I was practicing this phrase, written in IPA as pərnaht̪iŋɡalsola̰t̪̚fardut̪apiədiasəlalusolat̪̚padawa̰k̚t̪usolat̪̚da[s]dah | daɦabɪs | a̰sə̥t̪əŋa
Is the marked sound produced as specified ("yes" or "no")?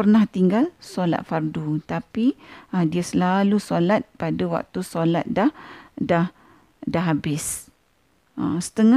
no